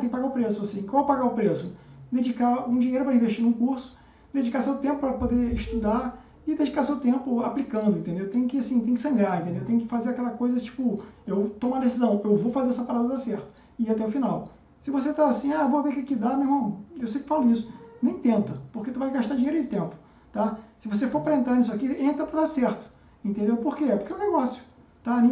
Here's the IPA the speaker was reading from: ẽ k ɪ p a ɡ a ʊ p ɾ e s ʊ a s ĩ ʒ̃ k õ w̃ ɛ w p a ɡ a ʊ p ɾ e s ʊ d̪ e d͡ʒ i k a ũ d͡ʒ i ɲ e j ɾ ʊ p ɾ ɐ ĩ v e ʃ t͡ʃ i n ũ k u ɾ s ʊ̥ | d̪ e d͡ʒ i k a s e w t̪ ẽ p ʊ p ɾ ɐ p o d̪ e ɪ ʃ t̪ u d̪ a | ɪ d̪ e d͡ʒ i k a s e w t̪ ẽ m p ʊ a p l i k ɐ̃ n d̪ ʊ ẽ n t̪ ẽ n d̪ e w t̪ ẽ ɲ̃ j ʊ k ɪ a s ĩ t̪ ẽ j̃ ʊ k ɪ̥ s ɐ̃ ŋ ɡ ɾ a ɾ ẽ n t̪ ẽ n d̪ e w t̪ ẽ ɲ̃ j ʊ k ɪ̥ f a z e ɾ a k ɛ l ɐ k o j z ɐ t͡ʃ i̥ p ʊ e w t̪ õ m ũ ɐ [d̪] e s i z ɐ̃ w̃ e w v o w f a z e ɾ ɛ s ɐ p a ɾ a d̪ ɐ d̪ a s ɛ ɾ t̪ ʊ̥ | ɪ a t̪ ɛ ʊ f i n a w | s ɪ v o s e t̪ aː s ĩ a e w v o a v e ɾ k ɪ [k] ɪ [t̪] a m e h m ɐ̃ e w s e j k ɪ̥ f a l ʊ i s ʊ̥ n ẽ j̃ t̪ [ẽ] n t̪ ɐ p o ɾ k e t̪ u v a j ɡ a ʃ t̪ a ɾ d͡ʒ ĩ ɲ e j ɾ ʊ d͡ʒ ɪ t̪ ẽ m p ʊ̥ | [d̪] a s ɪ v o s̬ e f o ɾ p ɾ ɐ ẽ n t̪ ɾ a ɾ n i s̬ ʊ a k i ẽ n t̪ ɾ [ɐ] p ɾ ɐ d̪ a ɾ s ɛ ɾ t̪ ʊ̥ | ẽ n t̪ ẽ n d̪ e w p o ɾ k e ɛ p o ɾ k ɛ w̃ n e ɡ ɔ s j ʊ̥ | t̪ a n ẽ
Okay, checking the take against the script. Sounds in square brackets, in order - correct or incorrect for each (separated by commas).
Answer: correct, correct, incorrect, correct, incorrect, correct